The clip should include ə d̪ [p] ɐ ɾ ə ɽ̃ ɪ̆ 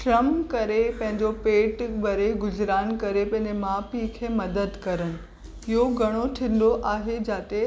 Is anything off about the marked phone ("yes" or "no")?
yes